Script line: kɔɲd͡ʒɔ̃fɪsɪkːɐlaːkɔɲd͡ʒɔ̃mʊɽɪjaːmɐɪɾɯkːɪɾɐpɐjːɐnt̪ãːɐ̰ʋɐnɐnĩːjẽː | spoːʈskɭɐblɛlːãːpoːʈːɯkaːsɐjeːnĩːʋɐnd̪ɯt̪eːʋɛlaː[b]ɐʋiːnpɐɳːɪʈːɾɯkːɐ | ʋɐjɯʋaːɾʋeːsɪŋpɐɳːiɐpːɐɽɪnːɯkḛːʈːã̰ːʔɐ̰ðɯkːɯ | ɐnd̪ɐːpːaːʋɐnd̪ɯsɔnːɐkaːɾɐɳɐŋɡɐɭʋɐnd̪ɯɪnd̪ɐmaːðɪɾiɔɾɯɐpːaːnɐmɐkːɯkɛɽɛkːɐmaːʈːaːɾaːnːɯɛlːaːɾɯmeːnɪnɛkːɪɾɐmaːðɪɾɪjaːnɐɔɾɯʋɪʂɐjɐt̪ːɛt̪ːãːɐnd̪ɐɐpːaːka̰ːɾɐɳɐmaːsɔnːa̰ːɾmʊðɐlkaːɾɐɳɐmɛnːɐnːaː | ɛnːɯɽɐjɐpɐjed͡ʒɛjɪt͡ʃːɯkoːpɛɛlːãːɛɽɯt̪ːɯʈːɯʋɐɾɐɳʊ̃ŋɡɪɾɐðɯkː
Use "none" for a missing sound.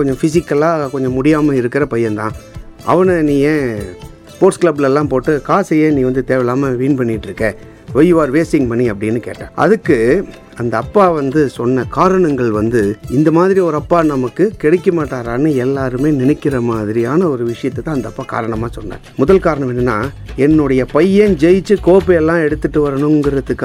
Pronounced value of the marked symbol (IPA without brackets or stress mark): m